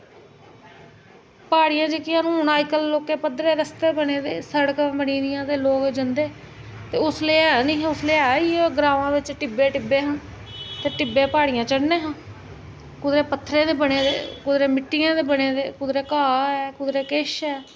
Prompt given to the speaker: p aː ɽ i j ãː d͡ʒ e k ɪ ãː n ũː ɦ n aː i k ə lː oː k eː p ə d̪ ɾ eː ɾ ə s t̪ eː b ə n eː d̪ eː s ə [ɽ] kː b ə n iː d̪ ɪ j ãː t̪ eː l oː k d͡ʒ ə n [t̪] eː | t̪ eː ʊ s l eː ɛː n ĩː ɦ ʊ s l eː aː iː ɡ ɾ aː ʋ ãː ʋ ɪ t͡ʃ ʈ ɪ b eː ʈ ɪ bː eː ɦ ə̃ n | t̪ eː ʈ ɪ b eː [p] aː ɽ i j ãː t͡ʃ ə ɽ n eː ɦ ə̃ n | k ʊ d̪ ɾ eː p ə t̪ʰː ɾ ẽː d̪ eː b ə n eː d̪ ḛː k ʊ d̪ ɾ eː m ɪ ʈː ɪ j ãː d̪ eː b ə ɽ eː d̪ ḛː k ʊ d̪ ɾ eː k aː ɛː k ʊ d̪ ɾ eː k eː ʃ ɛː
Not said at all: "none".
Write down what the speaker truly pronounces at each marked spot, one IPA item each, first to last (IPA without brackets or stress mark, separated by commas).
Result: ɽ, d̪, p